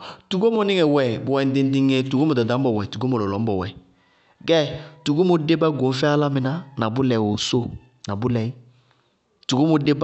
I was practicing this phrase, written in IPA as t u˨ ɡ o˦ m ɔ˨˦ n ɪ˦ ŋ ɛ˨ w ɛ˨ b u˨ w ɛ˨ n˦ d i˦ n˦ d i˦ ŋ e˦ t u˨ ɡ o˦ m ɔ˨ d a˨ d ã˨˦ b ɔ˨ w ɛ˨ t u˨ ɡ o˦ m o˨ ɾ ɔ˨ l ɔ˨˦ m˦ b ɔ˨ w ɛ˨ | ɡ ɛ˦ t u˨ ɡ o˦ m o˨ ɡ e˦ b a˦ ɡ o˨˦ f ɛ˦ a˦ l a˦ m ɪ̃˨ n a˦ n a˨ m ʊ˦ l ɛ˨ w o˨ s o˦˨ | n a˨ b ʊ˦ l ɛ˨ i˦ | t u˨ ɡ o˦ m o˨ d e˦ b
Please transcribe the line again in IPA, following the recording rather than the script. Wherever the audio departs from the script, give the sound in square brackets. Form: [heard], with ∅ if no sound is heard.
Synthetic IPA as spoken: t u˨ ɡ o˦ m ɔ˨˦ n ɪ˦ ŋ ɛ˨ w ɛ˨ b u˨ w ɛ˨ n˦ d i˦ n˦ d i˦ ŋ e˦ t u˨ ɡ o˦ m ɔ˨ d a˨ d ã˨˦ b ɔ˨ w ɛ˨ t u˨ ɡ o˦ m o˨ [l] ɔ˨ l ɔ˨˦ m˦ b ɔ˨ w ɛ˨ | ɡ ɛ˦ t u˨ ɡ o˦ m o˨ [d] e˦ b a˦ ɡ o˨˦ f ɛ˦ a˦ l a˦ m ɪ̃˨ n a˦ n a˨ [b] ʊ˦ l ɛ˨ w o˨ s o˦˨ | n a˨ b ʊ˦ l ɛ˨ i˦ | t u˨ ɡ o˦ m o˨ d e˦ b